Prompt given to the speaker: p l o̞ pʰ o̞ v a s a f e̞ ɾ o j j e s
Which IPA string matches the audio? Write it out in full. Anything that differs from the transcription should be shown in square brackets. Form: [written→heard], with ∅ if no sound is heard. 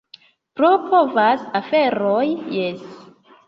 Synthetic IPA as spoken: p [l→ɾ] o̞ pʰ o̞ v a s a f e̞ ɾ o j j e s